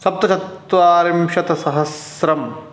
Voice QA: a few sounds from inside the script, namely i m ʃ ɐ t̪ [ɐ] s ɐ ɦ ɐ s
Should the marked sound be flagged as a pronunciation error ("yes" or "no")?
no